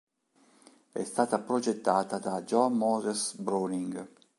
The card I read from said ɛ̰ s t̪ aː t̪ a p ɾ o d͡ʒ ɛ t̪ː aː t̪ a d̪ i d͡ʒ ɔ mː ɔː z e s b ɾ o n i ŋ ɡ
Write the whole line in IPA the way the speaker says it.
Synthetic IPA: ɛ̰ s t̪ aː t̪ a p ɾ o d͡ʒ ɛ t̪ː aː t̪ a d̪ a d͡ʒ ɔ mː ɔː z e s b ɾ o n i ŋ ɡ